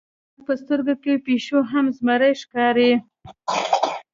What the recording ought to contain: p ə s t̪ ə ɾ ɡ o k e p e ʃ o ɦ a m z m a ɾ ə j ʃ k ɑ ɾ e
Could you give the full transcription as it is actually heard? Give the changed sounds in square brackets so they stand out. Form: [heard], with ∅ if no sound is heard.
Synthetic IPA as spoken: p ə s t̪ ə ɾ ɡ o k e p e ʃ o ɦ a m z m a ɾ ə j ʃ k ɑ ɾ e